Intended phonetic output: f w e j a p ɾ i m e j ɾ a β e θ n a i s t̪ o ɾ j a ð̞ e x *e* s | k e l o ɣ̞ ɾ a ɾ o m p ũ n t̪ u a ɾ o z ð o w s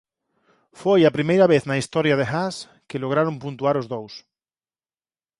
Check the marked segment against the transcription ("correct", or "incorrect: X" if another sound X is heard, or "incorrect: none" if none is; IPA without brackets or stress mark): incorrect: a